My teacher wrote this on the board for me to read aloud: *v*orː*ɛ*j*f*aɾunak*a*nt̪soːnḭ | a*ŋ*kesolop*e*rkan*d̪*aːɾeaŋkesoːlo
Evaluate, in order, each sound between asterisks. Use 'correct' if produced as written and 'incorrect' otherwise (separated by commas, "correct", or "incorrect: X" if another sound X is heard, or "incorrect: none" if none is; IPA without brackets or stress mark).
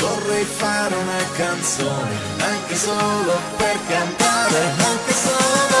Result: correct, correct, correct, correct, correct, correct, incorrect: t̪